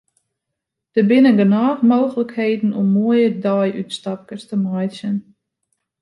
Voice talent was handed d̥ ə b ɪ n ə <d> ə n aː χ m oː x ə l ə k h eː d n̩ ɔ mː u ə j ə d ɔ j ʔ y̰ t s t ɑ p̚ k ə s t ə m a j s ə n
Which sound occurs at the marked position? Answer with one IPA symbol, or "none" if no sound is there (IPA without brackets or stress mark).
ɡ